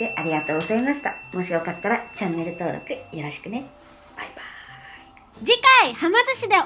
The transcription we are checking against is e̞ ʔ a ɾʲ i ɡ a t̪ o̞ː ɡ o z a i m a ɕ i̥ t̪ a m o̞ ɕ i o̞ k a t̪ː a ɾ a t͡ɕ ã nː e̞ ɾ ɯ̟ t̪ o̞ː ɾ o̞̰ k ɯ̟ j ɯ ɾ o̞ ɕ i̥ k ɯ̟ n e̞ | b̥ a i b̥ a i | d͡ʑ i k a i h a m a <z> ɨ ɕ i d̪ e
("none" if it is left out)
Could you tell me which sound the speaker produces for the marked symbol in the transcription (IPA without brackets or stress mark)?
z